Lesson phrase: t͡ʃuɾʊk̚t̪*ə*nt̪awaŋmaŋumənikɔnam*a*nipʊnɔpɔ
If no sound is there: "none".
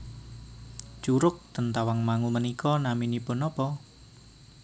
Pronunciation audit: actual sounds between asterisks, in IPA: ə, i

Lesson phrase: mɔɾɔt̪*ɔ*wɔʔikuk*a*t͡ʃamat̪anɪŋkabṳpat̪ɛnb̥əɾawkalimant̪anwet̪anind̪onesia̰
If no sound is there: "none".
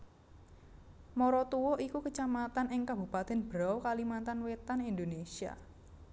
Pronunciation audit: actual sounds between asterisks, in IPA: u, ə

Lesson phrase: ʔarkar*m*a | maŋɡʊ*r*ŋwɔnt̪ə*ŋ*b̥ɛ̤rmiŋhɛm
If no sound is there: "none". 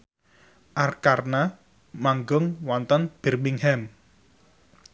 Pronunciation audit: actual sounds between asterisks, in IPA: n, none, n

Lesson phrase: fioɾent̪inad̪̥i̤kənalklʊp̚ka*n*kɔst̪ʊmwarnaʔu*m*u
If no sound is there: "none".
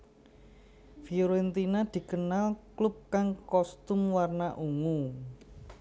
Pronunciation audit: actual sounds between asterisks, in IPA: ŋ, ŋ

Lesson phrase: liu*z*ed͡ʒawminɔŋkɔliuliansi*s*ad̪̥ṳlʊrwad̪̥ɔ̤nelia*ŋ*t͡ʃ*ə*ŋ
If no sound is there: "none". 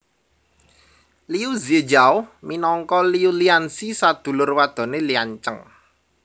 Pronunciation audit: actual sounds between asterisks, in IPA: z, s, ɲ, ə

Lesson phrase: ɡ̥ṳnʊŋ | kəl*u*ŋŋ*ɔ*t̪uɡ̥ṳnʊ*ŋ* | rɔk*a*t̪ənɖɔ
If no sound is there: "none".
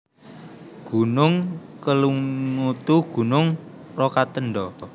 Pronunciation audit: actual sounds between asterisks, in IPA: u, u, ŋ, a

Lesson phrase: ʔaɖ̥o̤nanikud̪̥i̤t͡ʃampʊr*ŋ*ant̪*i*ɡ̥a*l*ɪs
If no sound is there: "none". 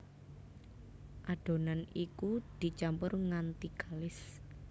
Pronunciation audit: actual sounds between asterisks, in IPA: ŋ, i, l

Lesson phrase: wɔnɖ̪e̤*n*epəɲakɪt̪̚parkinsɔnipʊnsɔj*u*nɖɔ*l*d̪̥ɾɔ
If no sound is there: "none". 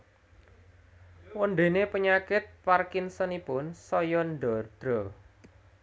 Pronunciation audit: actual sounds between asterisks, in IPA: n, ɔ, r

